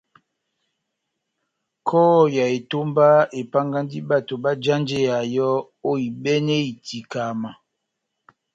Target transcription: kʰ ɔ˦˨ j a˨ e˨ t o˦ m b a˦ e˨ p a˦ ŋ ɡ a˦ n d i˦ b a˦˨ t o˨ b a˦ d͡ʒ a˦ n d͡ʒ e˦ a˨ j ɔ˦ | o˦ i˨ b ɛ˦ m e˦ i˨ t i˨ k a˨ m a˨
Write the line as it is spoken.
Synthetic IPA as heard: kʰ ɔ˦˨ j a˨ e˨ t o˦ m b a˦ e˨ p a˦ ŋ ɡ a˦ n d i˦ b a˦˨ t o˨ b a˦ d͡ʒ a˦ n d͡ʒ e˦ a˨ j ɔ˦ | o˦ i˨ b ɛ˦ n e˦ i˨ t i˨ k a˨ m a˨